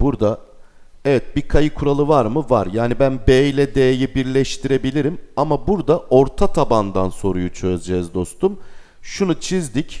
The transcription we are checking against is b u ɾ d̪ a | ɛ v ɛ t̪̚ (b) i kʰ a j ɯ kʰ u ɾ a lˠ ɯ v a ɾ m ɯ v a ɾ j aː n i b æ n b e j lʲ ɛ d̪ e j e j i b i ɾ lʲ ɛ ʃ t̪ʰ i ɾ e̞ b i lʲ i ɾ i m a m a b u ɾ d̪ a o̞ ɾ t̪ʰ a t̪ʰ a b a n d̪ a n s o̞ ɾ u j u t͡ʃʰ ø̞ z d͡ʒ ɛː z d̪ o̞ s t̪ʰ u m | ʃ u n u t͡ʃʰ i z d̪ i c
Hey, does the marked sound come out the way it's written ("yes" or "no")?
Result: yes